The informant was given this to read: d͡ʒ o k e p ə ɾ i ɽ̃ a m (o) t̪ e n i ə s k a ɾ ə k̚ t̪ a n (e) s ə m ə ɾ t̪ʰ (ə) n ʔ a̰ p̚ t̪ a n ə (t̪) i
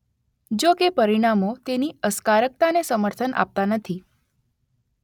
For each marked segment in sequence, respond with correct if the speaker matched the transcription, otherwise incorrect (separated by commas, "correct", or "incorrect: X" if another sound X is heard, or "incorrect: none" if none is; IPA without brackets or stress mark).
correct, correct, correct, incorrect: t̪ʰ